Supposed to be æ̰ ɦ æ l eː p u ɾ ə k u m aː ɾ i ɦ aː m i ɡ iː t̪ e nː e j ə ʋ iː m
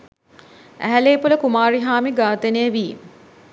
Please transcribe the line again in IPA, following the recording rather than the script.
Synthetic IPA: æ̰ ɦ æ l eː p u l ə k u m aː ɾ i ɦ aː m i ɡ aː t̪ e n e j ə ʋ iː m

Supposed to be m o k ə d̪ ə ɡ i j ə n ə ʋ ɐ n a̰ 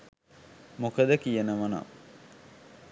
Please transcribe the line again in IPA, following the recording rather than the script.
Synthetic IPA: m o k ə d̪ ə k i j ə n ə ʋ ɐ n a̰

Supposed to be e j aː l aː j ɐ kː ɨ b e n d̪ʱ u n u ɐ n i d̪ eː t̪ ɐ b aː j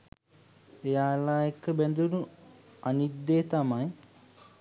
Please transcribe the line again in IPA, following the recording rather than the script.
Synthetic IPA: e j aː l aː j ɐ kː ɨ b e n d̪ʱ u n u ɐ n i d̪ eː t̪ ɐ m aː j

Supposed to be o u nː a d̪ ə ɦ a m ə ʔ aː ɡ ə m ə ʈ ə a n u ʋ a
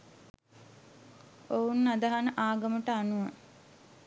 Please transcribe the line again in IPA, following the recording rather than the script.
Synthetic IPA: o u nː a d̪ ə ɦ a n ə ʔ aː ɡ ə m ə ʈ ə a n u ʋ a

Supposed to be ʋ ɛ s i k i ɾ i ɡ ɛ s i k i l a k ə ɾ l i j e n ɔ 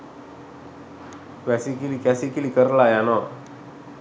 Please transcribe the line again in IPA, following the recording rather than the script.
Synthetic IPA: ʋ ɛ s i k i l i k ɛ s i k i l i k ə ɾ l a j a n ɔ

